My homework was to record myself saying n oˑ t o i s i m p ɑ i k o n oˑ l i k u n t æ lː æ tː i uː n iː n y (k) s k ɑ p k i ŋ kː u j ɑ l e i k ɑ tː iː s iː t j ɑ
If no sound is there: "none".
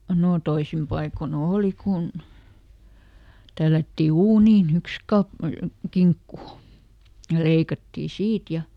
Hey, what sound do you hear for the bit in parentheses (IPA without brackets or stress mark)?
k